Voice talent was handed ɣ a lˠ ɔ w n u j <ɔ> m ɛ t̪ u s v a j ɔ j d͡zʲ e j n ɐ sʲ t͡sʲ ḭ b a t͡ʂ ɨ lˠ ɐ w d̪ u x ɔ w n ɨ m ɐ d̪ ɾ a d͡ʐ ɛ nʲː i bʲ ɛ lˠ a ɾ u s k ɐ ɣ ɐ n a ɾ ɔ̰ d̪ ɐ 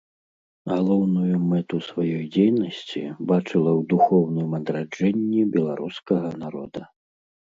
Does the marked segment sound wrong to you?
yes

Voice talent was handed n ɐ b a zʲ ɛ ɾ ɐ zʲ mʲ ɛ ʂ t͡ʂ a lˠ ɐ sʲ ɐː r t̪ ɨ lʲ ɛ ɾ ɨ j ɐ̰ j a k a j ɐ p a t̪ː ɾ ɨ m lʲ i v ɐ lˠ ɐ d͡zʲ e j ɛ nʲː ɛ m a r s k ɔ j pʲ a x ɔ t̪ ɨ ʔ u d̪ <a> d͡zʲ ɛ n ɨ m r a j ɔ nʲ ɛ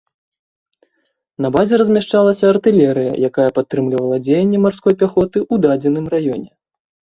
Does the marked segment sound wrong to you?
no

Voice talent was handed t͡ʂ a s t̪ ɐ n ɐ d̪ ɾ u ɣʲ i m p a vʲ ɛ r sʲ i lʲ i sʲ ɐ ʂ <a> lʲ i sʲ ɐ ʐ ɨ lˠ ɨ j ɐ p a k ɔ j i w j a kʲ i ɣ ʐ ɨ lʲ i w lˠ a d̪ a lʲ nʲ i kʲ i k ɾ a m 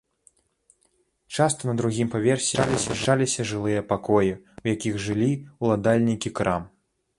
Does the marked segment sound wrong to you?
no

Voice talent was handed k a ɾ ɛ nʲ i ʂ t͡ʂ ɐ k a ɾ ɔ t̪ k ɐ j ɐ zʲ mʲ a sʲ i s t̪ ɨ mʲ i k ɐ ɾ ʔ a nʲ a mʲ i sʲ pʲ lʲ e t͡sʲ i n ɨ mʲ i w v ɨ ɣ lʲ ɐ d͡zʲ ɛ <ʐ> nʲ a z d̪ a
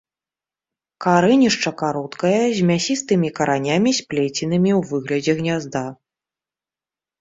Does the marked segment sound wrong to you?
yes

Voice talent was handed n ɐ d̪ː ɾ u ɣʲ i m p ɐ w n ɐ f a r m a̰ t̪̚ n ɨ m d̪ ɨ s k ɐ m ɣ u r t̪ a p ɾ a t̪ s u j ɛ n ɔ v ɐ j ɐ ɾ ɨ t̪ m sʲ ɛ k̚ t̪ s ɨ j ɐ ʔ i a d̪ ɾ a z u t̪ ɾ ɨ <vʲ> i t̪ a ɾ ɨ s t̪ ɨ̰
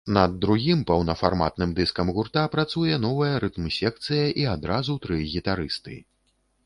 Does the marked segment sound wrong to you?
yes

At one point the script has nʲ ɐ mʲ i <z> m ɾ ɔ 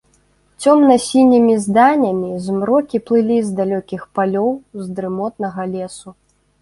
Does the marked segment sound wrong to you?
no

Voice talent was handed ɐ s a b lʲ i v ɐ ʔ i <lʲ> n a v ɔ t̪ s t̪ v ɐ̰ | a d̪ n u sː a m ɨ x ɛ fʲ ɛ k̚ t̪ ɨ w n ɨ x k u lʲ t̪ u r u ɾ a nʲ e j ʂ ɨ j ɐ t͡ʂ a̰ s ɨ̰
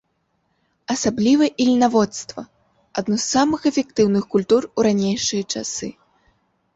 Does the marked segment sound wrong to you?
no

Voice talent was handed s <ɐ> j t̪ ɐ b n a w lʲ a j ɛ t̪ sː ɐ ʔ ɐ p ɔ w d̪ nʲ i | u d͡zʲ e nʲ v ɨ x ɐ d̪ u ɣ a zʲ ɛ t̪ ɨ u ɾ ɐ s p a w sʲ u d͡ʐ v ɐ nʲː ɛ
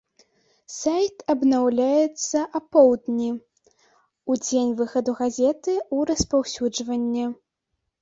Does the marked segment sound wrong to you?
yes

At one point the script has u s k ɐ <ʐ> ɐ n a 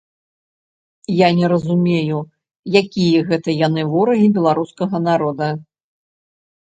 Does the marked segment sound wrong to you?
yes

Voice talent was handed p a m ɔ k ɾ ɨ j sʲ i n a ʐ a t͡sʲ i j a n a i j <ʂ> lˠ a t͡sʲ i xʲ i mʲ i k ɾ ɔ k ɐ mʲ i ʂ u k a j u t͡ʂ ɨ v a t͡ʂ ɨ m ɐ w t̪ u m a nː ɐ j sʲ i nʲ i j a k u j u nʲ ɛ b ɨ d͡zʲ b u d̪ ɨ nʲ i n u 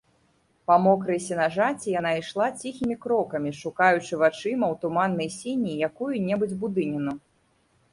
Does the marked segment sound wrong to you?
no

